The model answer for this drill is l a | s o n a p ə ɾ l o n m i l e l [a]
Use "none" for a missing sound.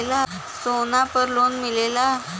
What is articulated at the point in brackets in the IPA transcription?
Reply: a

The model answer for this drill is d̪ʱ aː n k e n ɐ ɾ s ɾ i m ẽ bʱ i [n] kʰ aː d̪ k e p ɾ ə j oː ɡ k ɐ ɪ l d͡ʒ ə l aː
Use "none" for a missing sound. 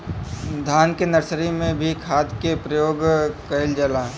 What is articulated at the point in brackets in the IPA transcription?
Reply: none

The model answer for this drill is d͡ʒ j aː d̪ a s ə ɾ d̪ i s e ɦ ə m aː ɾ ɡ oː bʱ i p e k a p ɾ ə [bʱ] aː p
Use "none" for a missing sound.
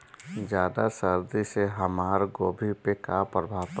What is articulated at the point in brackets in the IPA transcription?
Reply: bʱ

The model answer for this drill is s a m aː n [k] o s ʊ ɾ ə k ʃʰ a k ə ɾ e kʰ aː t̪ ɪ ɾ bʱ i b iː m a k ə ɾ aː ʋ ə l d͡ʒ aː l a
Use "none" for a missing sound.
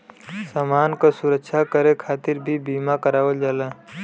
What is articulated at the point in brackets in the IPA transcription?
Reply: k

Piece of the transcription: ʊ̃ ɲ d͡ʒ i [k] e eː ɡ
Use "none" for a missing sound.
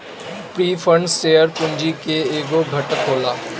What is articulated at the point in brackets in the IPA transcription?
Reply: k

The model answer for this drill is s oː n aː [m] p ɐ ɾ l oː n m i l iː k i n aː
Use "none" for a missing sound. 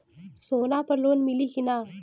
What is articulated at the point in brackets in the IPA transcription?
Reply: none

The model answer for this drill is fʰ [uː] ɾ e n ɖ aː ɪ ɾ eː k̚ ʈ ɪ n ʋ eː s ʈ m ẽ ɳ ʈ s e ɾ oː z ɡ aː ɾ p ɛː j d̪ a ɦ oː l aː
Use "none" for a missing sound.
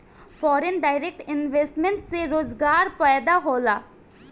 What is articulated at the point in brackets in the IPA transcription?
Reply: ɔː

